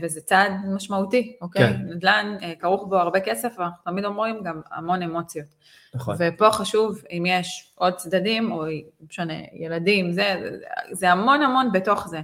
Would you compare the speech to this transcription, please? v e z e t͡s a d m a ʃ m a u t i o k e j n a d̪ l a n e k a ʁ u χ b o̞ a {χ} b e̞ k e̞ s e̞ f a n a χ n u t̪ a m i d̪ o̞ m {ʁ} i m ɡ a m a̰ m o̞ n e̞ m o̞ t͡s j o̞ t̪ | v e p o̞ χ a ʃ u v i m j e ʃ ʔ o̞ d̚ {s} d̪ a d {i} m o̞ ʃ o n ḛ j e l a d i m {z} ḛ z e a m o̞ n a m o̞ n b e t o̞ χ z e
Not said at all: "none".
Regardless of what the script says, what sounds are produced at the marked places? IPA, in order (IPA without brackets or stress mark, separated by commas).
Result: ʁ, ʁ, t͡s, i, z